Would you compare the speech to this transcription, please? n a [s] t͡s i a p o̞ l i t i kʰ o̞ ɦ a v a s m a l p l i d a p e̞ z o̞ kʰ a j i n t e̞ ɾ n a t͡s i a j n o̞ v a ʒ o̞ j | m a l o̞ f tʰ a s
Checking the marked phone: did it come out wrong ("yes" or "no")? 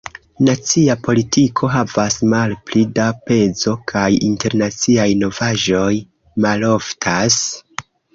yes